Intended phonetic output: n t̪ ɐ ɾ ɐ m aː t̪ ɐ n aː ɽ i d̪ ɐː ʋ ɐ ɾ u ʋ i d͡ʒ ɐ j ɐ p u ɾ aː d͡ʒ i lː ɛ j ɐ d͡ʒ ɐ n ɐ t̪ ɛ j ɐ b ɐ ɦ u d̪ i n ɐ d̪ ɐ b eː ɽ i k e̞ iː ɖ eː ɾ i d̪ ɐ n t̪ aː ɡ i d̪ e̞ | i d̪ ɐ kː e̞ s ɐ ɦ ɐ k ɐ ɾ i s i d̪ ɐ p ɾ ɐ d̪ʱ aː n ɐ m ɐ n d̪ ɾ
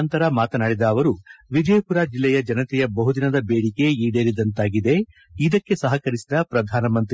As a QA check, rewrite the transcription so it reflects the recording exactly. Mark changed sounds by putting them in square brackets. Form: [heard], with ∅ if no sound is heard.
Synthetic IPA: n t̪ ɐ ɾ ɐ m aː t̪ ɐ n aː ɽ i d̪ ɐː ʋ ɐ ɾ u ʋ i d͡ʒ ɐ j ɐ p u ɾ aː d͡ʒ i lː ɛ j ɐ d͡ʒ ɐ n ɐ t̪ ɛ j ɐ b ɐ ɦ u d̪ i n ɐ d̪ ɐ b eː ɽ i k e̞ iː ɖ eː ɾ i d̪ ɐ n t̪ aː ɡ i d̪ e̞ | i d̪ ɐ kː e̞ s ɐ ɦ ɐ k ɐ ɾ i s i d̪ ɐ p ɾ ɐ d̪ʱ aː n ɐ m ɐ n [t̪] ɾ